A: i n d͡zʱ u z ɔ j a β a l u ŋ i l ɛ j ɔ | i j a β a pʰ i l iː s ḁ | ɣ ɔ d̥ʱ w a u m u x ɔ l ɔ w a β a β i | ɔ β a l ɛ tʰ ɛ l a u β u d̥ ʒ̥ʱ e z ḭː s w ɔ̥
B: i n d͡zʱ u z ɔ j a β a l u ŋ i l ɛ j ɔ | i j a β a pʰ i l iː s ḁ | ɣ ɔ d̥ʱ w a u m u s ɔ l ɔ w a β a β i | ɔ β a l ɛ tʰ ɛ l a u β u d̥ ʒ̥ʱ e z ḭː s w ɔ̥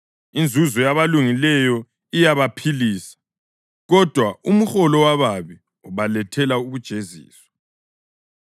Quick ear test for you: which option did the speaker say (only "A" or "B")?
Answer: A